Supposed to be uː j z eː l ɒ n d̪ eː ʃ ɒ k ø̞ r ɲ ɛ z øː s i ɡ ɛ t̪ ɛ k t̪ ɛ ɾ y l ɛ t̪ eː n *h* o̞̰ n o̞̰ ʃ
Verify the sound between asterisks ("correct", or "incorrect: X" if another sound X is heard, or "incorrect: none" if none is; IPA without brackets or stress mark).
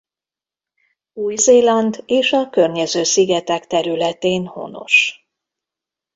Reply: correct